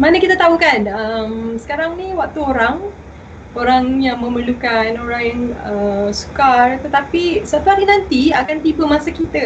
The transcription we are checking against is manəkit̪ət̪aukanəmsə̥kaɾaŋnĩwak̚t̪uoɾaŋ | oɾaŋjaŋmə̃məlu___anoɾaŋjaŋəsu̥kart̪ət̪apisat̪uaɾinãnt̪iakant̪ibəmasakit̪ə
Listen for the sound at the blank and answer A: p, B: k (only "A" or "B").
B